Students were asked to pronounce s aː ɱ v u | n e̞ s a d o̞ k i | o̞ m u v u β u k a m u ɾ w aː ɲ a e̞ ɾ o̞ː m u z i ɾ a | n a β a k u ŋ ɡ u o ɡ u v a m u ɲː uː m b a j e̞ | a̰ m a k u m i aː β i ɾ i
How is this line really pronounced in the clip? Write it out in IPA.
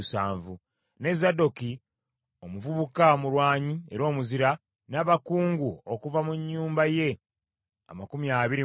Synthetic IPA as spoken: s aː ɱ v u | n e̞ z a d o̞ k i | o̞ m u v u β u k a m u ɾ w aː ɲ i e̞ ɾ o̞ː m u z i ɾ a | n a β a k uː ŋ ɡ u o k u v a m u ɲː uː m b a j e̞ | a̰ m a k u m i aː β i ɾ i